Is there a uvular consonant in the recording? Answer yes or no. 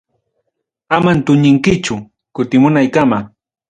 no